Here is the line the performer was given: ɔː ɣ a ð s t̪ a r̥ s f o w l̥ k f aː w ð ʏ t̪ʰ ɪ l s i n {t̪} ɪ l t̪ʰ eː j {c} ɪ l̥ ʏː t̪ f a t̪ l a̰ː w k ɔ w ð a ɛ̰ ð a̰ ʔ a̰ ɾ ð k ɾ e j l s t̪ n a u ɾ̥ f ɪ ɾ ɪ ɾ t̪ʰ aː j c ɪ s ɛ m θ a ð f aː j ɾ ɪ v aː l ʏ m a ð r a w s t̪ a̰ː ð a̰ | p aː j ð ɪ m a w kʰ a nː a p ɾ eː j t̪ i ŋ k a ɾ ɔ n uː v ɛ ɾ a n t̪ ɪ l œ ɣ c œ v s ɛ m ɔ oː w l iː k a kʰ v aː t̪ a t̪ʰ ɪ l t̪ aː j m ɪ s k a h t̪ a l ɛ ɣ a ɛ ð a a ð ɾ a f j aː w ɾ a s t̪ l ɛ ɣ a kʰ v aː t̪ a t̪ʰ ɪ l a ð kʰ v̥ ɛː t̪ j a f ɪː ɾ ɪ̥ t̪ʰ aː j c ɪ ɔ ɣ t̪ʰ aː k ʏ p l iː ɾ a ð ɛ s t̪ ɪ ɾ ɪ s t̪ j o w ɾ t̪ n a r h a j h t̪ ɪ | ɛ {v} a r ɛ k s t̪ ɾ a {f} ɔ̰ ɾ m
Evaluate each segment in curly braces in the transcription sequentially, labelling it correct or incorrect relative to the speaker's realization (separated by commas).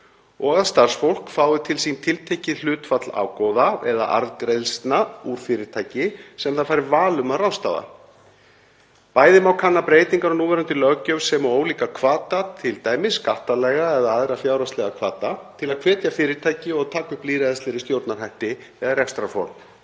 incorrect, correct, incorrect, correct